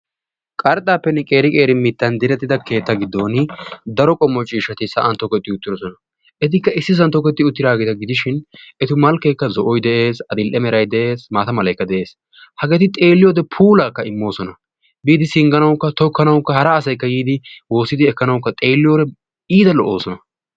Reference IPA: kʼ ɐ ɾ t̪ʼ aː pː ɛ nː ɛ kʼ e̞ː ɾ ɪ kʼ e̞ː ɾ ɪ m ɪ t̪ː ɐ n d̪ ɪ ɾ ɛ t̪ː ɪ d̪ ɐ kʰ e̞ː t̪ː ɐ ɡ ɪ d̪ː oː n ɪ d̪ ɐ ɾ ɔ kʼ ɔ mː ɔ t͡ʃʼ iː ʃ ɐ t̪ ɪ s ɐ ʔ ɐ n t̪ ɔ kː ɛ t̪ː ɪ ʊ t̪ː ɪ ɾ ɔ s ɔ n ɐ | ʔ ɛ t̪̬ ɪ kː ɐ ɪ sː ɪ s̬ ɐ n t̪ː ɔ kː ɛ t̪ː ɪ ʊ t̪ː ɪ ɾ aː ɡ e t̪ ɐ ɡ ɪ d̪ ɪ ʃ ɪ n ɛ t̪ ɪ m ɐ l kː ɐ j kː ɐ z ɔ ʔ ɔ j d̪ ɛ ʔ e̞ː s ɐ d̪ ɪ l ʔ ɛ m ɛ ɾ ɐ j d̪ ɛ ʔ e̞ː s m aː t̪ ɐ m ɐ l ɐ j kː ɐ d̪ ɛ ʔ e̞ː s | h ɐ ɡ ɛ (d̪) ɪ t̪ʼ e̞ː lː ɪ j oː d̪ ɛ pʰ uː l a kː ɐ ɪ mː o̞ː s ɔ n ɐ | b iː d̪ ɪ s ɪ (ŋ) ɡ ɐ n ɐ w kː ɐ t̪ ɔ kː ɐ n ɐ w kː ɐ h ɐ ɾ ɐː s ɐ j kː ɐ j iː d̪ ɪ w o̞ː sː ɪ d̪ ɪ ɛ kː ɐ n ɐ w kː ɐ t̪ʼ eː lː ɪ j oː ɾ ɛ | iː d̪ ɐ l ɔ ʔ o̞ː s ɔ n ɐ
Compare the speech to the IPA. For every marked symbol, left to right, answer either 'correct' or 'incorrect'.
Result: incorrect, correct

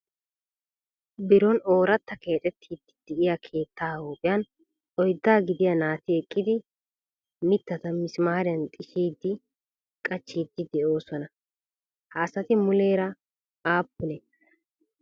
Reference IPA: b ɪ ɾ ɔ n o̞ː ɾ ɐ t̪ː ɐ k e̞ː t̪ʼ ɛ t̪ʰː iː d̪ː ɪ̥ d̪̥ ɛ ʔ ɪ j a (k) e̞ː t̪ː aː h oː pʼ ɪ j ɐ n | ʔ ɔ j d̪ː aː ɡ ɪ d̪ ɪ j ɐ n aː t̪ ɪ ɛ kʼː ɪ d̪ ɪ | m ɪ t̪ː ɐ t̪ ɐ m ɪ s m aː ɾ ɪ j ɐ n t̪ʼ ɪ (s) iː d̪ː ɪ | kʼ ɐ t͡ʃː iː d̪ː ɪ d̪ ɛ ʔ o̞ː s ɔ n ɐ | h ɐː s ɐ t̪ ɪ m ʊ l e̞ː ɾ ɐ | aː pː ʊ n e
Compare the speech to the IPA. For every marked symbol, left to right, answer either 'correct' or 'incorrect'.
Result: incorrect, incorrect

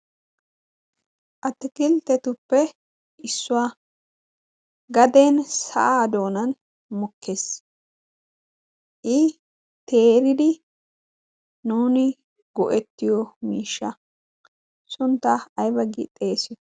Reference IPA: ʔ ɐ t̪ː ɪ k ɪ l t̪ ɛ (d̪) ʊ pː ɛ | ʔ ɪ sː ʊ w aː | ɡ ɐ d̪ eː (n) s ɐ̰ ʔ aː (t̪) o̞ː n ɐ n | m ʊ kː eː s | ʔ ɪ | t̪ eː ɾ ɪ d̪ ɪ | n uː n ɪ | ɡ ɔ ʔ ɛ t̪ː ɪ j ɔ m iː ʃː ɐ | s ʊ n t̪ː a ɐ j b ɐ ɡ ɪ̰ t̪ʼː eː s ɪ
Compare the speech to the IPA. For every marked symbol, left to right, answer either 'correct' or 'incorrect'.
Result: incorrect, correct, incorrect

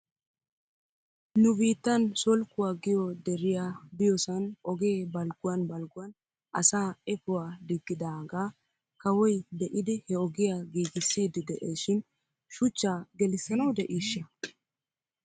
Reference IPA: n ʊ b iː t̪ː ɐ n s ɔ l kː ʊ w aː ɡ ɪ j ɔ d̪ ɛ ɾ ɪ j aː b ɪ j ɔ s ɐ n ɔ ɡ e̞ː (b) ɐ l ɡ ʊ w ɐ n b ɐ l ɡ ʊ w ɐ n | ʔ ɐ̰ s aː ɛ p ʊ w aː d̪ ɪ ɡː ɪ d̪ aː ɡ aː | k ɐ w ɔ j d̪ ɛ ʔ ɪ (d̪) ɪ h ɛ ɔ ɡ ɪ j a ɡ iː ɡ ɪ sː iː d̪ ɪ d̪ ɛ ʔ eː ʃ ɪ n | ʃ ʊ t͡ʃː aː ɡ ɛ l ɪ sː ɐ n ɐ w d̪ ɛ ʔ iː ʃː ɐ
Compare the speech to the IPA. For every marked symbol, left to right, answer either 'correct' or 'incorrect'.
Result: correct, correct

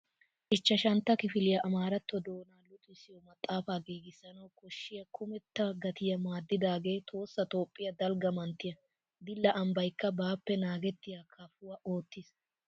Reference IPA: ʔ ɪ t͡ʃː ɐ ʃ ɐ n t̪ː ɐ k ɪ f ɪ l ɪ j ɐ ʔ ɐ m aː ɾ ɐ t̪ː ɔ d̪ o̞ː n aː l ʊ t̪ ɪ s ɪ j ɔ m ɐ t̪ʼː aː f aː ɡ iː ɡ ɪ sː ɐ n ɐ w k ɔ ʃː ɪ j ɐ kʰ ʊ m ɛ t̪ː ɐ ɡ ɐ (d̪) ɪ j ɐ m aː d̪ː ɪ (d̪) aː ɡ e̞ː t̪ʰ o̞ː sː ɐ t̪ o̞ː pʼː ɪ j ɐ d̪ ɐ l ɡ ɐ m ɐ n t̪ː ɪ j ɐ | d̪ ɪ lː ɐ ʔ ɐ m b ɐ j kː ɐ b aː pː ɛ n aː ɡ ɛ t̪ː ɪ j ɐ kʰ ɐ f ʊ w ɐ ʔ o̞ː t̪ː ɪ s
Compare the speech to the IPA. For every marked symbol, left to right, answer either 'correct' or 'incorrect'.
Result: incorrect, correct

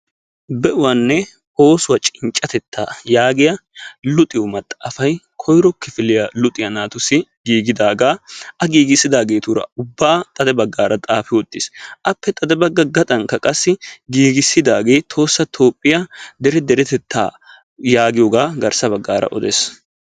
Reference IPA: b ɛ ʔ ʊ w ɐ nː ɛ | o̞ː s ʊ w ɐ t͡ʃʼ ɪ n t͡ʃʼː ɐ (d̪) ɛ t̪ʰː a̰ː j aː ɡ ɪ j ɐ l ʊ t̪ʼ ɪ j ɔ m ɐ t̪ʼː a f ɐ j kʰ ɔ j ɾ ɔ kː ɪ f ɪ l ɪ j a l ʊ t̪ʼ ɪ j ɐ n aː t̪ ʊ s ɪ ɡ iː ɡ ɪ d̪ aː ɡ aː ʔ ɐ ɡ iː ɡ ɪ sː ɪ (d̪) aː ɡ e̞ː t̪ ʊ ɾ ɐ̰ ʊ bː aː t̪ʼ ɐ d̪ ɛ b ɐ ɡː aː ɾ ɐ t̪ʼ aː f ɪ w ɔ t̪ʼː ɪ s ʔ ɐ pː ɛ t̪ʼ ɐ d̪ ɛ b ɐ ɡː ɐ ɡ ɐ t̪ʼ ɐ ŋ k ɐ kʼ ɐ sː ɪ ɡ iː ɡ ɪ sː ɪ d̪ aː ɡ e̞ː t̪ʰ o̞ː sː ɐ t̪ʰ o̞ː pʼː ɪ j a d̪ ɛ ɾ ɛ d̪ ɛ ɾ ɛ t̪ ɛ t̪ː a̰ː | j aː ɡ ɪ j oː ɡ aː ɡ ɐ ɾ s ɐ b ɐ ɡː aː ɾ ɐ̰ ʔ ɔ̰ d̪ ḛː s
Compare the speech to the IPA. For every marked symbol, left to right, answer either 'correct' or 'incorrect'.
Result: incorrect, correct

